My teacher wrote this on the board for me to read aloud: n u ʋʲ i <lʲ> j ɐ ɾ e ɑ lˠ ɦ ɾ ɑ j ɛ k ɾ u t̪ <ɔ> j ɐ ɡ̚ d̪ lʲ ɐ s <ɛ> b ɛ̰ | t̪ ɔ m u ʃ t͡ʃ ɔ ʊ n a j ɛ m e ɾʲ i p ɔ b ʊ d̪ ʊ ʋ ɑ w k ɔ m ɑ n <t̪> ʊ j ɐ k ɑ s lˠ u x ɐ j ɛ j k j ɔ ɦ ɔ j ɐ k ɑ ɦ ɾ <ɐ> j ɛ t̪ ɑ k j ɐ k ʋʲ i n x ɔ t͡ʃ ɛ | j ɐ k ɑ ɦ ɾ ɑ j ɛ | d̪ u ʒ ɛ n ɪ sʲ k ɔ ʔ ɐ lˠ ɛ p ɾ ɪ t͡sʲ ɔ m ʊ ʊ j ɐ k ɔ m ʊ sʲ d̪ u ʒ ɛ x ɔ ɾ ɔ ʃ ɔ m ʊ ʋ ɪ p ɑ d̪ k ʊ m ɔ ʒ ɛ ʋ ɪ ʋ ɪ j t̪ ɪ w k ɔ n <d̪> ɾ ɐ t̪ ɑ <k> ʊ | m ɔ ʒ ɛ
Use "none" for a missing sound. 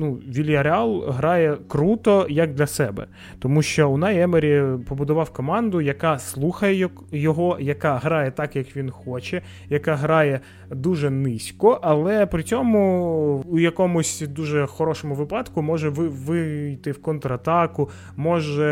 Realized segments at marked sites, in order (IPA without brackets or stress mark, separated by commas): lʲ, ɔ, ɛ, d̪, ɑ, t̪, k